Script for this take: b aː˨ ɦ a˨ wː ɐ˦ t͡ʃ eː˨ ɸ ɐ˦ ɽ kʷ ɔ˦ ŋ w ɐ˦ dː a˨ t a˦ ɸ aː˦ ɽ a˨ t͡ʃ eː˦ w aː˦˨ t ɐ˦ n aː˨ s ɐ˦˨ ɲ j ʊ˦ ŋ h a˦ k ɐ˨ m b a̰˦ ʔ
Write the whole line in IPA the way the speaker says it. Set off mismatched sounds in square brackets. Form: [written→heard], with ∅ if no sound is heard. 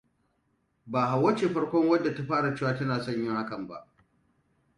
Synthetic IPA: b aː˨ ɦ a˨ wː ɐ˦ t͡ʃ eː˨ ɸ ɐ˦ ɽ kʷ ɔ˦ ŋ w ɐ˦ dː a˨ t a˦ ɸ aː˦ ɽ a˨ t͡ʃ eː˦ w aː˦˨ t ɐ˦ n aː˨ s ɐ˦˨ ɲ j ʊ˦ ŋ h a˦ k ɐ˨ m b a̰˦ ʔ